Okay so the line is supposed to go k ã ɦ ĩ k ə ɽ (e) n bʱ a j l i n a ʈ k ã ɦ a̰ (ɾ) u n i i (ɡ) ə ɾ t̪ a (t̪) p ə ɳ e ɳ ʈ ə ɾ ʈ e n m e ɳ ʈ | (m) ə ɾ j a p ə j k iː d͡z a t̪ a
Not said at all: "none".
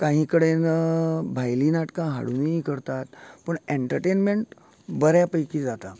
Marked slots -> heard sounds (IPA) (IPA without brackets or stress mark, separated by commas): e, ɽ, k, t̪, b